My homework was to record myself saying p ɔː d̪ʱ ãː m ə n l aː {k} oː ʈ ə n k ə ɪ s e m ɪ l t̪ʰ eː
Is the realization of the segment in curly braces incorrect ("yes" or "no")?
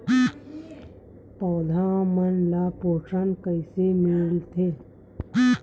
yes